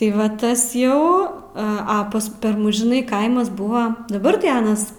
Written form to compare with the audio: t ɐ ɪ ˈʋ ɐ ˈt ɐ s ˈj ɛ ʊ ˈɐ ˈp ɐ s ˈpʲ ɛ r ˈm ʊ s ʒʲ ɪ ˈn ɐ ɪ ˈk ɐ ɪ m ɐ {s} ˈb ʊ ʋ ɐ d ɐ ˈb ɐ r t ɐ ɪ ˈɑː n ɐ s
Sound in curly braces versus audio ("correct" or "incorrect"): correct